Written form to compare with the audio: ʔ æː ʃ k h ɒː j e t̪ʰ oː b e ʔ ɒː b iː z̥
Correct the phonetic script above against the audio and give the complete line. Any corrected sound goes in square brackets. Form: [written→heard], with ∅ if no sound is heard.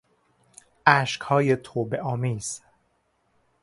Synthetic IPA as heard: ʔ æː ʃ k h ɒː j e t̪ʰ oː b e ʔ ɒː [b→m] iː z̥